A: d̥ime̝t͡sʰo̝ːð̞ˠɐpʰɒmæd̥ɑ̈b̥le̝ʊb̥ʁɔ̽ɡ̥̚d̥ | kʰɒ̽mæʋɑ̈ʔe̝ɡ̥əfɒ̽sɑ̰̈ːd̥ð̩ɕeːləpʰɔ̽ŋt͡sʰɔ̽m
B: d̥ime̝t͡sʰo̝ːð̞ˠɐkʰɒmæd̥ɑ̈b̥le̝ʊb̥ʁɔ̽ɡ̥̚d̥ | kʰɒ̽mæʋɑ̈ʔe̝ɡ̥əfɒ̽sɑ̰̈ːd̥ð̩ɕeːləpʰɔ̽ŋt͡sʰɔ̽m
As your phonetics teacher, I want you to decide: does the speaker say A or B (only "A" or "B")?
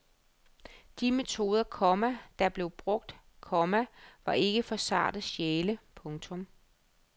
B